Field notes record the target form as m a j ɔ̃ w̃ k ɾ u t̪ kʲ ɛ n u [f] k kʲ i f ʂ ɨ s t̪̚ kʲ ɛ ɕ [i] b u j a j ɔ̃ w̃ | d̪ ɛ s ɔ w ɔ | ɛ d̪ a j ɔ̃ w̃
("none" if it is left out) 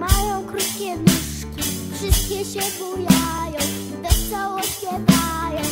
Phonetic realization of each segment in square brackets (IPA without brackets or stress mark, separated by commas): ʂ, ɛ